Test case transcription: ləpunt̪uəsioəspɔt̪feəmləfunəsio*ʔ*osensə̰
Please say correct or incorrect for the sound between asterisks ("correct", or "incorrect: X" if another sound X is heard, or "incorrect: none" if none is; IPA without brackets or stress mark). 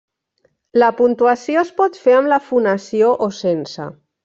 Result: correct